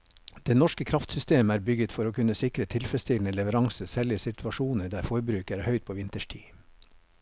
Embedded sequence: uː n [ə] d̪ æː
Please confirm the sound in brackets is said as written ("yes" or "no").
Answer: yes